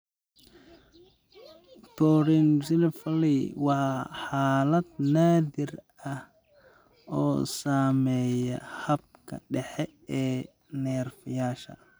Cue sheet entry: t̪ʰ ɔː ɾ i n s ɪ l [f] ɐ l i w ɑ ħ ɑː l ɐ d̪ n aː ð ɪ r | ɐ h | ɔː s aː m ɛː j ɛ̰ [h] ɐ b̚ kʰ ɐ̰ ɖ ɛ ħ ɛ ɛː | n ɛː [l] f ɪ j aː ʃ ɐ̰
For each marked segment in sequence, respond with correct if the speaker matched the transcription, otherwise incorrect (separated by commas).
correct, correct, incorrect